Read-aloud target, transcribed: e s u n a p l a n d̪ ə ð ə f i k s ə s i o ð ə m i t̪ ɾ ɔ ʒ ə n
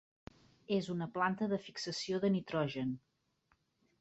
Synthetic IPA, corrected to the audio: e z u n ə p l a n t̪ ə ð ə f i k s ə s i o ð ə n i t̪ ɾ ɔ ʒ ə n